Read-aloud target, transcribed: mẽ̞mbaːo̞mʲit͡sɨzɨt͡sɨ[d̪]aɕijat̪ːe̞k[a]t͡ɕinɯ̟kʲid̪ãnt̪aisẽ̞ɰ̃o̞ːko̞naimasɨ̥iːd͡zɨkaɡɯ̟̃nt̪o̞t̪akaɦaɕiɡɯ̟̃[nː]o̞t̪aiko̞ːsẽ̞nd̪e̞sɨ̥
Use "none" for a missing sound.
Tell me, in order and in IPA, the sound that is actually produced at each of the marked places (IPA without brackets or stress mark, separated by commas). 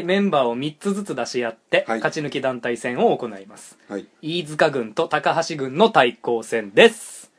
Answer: d̪, a, nː